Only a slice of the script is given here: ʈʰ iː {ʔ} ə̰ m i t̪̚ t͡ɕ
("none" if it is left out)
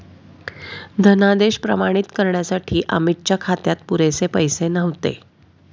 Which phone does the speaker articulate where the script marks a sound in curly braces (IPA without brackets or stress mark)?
ʔ